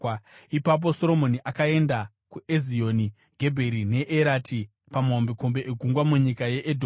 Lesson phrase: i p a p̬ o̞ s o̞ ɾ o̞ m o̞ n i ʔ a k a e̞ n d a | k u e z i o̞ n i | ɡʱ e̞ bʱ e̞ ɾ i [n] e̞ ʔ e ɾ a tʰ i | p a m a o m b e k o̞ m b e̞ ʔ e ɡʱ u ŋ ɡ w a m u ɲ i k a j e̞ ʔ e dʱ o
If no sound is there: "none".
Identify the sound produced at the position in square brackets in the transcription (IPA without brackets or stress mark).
n